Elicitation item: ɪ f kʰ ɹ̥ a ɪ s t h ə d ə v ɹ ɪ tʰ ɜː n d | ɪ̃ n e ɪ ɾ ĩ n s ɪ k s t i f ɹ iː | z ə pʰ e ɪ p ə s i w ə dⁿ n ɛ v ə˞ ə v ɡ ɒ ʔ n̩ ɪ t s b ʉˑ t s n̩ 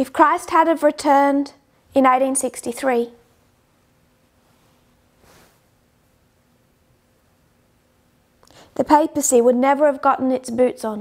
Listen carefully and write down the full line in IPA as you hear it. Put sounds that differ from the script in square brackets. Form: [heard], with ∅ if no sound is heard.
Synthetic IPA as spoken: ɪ f kʰ ɹ̥ a ɪ s t h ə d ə v ɹ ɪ tʰ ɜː n d | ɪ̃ n e ɪ ɾ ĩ n s ɪ k s t i [θ] ɹ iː | [ð] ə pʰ e ɪ p ə s i w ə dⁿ n ɛ v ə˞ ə v ɡ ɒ ʔ n̩ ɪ t s b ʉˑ t s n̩